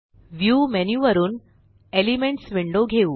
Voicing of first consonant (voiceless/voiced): voiced